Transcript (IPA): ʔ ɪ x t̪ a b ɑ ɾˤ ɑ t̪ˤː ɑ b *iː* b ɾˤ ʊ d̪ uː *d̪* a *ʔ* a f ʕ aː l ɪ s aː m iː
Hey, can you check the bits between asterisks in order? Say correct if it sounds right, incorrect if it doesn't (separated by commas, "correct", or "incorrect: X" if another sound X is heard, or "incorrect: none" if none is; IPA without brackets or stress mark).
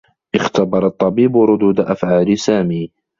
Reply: correct, correct, correct